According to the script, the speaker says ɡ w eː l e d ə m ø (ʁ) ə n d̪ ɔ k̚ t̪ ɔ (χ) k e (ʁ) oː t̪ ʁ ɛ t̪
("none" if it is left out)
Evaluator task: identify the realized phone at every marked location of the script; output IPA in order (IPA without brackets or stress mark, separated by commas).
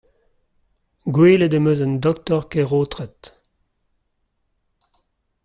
z, ʁ, ʁ